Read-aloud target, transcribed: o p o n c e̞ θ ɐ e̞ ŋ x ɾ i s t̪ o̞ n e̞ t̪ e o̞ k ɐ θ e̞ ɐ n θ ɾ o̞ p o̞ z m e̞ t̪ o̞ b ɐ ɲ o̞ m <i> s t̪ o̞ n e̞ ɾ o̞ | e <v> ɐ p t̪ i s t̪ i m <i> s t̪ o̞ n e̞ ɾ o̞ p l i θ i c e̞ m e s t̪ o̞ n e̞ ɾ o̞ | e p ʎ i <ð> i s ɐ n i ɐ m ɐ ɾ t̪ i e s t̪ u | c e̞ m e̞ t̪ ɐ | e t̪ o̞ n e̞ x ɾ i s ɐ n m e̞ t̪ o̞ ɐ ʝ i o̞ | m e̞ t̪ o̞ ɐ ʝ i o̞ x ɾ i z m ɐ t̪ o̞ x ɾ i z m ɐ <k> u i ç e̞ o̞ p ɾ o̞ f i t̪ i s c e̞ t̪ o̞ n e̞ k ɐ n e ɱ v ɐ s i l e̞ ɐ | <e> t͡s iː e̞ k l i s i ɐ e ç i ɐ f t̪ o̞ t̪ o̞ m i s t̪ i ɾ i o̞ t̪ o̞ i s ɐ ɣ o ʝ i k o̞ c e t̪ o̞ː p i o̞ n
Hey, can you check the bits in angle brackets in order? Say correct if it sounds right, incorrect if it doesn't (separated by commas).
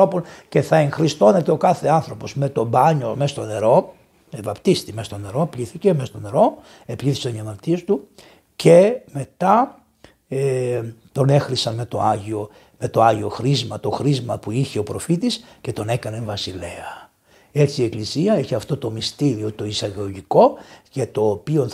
incorrect, correct, incorrect, incorrect, incorrect, correct